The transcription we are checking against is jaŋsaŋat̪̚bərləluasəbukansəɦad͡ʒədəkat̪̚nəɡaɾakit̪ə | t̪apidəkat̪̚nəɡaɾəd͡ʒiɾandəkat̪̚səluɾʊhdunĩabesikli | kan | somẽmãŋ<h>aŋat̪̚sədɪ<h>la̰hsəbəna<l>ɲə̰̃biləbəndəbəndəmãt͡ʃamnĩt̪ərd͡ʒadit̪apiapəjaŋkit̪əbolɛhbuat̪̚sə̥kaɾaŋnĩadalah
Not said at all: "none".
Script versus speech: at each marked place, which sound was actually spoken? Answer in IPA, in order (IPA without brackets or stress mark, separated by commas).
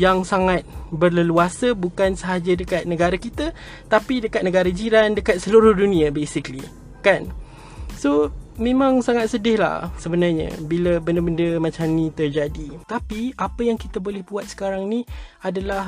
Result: s, h, r